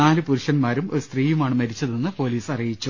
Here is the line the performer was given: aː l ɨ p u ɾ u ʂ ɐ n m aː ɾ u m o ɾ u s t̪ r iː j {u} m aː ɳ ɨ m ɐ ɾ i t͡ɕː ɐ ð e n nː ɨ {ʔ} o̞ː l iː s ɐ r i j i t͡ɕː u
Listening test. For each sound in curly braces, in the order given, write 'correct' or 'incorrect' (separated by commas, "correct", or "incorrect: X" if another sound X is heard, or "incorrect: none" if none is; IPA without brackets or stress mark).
correct, incorrect: p